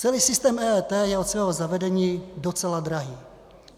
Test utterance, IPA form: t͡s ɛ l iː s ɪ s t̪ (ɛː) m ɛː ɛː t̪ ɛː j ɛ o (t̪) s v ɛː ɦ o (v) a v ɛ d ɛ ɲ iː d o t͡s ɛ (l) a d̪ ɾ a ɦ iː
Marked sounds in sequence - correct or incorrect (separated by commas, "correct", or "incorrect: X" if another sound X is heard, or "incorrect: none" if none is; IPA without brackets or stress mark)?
correct, correct, incorrect: z, correct